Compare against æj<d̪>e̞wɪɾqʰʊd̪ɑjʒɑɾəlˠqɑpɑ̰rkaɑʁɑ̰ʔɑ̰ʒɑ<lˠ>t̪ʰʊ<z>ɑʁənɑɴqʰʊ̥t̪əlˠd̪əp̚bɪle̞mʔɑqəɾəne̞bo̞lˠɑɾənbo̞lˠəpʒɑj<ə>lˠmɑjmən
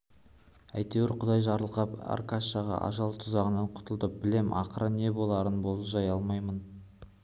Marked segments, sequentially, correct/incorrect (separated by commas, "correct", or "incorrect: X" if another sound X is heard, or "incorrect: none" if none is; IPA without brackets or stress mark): incorrect: t̪, correct, correct, incorrect: ɑ